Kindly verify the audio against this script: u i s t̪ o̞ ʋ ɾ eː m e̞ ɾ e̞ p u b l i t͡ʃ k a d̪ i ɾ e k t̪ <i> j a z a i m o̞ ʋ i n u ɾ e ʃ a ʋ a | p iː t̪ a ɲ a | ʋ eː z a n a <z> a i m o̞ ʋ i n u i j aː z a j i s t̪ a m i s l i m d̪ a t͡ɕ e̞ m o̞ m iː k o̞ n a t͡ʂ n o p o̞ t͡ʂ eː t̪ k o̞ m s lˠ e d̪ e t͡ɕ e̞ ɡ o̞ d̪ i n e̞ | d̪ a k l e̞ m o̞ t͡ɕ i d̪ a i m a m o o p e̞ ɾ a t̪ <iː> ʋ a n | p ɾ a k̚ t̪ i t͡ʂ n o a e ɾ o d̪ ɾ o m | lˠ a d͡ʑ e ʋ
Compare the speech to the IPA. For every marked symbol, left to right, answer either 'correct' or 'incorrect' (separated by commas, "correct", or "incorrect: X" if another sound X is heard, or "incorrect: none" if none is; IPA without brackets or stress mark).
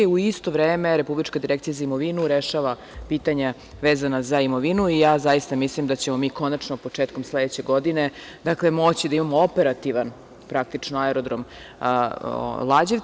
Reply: correct, correct, incorrect: i